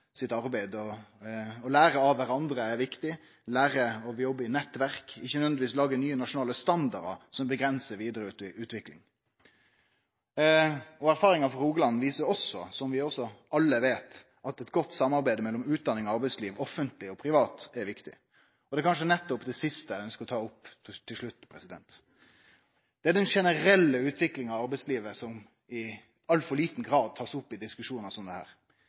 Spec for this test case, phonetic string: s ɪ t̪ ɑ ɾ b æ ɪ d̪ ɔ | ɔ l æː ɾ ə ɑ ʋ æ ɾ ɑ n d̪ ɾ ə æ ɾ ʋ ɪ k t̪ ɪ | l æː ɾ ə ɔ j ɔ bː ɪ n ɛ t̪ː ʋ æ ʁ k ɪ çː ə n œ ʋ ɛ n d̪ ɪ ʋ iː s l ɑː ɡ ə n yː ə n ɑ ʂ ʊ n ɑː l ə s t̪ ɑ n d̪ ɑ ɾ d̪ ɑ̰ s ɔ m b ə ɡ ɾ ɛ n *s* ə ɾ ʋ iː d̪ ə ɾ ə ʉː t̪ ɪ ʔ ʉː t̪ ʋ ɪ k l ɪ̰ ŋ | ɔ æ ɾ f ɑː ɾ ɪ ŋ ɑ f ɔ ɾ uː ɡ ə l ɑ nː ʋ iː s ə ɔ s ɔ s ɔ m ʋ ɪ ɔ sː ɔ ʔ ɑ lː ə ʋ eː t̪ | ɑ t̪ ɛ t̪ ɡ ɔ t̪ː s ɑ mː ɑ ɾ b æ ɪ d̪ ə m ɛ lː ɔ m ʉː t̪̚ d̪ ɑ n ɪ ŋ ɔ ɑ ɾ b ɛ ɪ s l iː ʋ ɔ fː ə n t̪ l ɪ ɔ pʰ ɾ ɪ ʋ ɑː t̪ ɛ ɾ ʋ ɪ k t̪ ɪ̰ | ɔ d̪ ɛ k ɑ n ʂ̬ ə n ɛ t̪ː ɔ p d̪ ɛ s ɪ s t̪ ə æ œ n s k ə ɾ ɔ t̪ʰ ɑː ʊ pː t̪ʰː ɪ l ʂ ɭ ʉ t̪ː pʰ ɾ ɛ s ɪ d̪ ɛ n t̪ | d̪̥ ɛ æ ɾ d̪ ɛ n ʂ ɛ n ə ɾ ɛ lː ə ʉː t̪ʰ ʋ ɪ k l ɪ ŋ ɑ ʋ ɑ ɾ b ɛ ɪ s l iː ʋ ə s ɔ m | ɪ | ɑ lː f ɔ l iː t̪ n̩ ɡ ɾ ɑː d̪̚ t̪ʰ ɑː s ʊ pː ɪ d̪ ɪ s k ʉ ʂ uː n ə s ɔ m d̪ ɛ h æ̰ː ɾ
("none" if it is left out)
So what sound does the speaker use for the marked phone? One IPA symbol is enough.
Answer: s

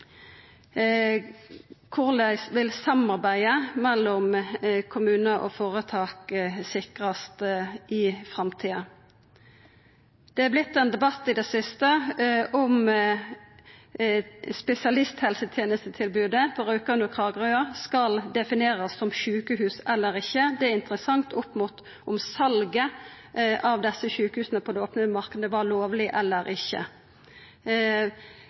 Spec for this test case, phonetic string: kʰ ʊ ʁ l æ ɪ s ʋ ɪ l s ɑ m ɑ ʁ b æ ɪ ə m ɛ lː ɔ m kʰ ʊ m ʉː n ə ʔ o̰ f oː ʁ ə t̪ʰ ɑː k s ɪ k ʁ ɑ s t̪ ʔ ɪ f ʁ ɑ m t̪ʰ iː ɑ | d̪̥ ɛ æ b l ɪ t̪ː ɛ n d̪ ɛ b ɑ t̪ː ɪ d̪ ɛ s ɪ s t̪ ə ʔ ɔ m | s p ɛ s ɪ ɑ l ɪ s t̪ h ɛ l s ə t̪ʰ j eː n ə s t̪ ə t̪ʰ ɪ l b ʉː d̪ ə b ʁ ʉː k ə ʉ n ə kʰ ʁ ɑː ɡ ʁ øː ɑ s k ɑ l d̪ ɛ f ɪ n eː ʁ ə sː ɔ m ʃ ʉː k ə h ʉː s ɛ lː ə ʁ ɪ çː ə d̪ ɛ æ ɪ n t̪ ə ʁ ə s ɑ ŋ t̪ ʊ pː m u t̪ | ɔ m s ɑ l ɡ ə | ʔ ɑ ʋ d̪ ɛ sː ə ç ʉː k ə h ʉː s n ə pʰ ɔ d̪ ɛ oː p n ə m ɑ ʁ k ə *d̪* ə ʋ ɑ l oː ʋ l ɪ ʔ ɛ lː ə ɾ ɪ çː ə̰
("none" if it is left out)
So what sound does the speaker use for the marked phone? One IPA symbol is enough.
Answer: d̪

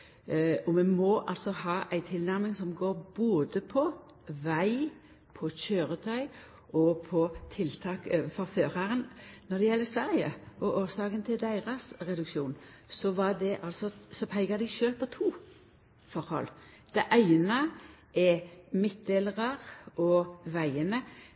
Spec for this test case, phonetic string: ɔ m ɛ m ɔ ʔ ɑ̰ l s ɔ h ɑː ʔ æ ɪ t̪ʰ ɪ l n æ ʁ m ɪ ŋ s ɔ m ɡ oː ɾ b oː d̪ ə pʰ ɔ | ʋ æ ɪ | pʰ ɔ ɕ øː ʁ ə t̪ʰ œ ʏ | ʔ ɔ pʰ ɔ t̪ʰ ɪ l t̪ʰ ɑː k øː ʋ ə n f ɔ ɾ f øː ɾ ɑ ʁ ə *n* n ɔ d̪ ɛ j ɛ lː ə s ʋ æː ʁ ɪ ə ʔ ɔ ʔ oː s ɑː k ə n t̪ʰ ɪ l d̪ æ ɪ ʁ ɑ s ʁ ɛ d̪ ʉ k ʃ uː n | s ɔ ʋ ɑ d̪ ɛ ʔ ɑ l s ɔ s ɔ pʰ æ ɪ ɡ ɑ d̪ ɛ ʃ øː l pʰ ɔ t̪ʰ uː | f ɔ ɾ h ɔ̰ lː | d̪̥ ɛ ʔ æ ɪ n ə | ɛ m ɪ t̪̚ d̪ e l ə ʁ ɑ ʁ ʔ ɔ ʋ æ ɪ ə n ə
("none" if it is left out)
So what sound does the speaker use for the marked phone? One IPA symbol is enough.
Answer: n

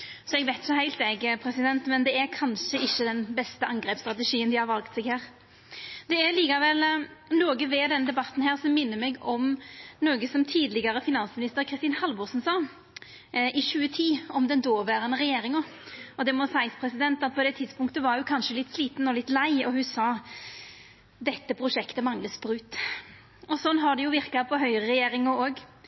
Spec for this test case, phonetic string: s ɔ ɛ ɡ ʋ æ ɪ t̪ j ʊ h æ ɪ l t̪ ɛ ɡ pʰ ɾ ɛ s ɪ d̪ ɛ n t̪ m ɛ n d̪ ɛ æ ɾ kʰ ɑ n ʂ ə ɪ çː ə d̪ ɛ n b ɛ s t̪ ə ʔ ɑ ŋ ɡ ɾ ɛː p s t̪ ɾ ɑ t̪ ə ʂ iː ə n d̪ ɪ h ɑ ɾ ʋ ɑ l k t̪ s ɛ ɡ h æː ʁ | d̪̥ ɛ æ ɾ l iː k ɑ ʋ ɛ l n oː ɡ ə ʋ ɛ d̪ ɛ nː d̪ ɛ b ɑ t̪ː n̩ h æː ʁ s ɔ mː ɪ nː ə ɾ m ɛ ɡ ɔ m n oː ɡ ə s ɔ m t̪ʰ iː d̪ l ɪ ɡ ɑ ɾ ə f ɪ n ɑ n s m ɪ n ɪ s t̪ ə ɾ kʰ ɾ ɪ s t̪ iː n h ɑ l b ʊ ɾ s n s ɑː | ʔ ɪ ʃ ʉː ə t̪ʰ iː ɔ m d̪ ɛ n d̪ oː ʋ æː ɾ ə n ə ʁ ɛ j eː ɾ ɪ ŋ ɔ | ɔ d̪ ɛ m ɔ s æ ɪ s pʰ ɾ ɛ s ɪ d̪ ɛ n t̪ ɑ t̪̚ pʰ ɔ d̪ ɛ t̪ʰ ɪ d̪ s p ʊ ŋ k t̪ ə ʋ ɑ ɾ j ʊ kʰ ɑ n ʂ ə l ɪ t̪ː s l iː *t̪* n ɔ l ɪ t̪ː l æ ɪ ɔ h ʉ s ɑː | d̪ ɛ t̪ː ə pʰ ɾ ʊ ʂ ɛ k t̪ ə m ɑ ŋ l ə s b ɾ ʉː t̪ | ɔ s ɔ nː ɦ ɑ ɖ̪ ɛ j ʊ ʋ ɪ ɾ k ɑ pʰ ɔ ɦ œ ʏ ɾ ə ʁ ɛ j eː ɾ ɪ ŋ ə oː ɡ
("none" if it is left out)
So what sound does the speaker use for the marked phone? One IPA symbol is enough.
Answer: t̪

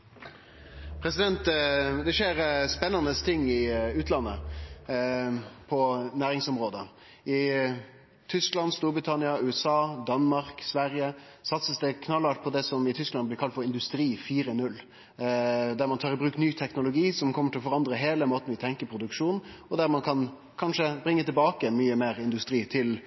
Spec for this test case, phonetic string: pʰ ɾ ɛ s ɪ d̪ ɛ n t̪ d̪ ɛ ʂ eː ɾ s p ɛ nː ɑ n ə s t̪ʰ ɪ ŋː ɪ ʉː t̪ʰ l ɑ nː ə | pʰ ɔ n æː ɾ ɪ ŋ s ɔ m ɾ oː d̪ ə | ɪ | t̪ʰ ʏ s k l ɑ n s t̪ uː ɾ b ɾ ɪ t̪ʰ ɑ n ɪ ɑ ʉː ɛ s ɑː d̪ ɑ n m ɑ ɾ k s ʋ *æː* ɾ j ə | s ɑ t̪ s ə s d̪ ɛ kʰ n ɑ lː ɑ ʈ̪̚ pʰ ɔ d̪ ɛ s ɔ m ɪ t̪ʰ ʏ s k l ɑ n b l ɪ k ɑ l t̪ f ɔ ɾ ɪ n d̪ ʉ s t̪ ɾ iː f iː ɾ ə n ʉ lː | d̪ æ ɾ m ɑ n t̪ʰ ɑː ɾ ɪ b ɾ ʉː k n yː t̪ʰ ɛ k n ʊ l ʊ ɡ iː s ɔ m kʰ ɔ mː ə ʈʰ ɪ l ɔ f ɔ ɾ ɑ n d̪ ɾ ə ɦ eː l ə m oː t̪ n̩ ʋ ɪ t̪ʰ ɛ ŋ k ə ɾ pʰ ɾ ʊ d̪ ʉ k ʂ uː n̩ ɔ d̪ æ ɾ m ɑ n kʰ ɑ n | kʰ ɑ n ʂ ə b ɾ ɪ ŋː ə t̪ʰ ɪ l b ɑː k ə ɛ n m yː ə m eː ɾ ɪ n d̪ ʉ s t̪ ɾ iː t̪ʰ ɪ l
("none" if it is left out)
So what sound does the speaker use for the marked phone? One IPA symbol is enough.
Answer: æ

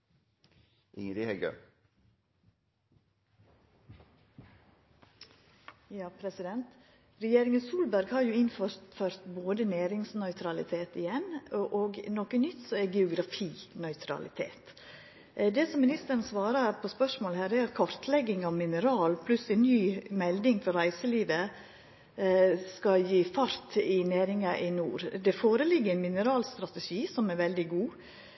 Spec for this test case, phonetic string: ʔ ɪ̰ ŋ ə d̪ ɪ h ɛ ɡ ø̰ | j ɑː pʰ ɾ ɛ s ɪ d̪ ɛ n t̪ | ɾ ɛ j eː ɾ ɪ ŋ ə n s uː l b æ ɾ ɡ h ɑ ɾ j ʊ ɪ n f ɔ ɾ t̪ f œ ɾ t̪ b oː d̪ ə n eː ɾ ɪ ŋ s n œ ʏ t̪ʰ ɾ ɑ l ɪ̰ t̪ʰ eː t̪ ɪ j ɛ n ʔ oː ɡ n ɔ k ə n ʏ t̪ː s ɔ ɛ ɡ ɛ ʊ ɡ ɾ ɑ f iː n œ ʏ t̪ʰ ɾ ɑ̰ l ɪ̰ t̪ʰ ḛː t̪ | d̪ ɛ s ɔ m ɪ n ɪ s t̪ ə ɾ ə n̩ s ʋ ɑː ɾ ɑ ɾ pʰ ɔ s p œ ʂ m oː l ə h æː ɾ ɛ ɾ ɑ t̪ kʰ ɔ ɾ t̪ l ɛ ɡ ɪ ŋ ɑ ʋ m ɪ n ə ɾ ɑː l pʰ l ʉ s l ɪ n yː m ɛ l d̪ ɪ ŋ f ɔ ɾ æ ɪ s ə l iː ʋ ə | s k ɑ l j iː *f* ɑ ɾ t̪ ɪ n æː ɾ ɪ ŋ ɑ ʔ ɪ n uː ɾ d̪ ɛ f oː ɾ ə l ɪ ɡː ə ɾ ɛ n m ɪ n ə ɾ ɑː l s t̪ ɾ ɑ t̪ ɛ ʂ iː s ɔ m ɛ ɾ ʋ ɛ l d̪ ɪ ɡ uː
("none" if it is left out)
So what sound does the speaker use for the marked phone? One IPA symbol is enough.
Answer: f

